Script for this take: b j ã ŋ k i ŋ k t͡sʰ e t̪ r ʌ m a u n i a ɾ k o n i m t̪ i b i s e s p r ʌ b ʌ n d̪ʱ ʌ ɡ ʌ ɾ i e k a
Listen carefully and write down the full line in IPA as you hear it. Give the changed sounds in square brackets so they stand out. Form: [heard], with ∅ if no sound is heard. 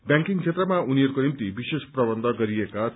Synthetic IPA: b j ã ŋ k i ŋ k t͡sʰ e t̪ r ʌ m a u n i [ʌ] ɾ k o n i m t̪ i b i s e s p r ʌ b ʌ n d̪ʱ ʌ ɡ ʌ ɾ i e k a